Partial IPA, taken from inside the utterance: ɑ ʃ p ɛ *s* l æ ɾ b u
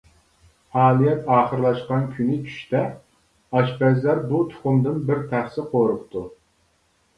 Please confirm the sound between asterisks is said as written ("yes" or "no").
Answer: no